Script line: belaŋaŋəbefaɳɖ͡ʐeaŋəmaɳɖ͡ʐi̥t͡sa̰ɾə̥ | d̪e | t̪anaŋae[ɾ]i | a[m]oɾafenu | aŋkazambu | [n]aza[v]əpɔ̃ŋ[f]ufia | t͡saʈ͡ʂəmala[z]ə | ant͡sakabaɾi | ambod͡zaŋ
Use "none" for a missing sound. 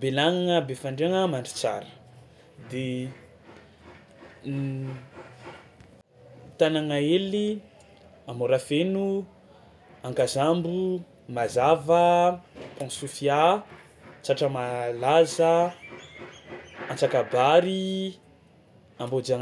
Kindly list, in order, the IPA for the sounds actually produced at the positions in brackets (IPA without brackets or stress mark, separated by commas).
l, m, m, v, s, z